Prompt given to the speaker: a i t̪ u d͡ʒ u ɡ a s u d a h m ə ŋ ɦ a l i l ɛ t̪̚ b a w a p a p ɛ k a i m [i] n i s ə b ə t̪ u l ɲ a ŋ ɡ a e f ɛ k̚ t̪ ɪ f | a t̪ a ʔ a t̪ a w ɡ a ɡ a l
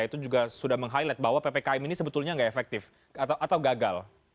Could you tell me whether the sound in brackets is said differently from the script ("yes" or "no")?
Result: no